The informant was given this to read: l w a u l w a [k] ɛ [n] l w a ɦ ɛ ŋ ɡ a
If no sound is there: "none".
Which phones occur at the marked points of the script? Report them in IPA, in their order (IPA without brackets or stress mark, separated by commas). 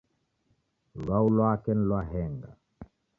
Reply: k, n